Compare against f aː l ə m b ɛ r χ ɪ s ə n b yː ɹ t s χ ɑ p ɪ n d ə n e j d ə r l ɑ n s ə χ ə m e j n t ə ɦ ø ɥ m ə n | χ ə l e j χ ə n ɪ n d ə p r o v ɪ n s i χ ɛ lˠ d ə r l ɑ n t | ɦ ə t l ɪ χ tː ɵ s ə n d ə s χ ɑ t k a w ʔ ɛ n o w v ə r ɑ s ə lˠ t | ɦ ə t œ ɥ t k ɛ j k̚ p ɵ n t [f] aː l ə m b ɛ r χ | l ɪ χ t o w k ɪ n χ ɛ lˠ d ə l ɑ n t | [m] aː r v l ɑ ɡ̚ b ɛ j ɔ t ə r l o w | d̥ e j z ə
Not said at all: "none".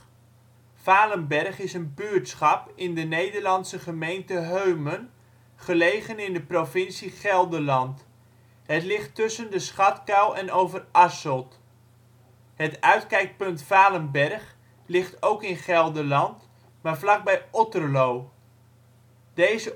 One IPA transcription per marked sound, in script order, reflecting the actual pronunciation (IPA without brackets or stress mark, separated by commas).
f, m